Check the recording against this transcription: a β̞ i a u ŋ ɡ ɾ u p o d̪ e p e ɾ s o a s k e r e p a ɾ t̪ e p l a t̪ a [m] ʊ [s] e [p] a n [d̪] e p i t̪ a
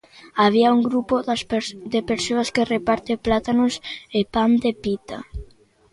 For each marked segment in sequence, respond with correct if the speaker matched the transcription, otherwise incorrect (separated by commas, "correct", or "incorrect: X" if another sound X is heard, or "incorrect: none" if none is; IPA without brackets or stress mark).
incorrect: n, correct, correct, correct